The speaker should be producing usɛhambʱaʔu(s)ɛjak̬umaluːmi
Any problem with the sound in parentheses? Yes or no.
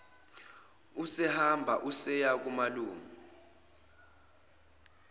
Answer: no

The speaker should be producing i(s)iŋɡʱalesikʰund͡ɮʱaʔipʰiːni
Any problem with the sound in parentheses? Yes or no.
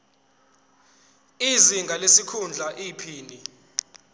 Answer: yes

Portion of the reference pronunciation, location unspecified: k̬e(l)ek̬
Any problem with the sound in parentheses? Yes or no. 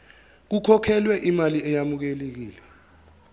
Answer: no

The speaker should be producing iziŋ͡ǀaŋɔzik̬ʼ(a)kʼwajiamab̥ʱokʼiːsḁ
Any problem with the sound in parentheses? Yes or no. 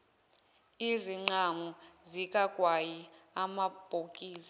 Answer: no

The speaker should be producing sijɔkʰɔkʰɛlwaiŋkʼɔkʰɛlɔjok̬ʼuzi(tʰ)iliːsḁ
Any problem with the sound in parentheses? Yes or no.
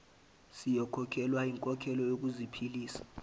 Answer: yes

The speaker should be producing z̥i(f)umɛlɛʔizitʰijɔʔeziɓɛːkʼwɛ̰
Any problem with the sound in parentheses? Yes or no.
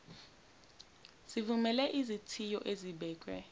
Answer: yes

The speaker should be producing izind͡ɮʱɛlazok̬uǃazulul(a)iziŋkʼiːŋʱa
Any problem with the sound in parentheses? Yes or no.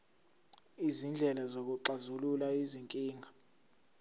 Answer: no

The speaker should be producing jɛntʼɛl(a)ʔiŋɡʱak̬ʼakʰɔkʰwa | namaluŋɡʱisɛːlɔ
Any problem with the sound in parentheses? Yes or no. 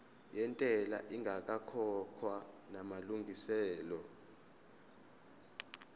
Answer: no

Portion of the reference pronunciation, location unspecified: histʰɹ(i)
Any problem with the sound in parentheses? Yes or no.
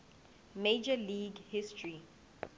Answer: no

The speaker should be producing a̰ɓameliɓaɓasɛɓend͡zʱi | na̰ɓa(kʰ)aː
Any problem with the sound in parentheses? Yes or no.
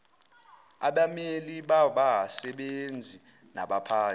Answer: yes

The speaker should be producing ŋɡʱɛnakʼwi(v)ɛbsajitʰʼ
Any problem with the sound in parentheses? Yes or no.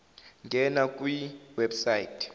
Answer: yes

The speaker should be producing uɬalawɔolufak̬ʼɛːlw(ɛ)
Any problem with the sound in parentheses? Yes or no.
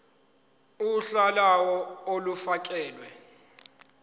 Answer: no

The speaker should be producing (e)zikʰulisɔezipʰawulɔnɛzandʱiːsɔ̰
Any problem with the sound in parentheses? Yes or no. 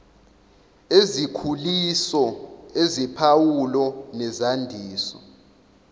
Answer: no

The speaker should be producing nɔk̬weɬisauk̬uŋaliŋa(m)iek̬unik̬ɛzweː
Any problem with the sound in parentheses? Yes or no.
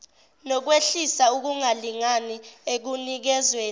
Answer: yes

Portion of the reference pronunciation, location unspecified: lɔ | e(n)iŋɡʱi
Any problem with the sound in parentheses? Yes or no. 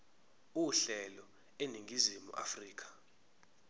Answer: no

